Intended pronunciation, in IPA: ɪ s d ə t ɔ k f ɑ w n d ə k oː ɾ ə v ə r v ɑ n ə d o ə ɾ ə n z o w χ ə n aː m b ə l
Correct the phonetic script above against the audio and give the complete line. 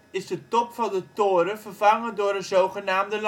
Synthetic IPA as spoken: ɪ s d ə t ɔ p f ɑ n d ə t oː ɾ ə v ə r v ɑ ŋ ə d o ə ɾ ə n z o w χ ə n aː m d ə l